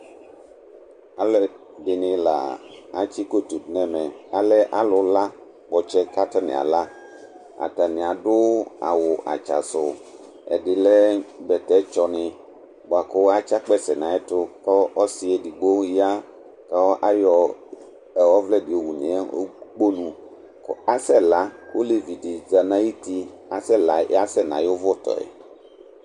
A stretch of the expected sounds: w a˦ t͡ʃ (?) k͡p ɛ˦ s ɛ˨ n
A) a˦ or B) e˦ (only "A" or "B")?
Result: A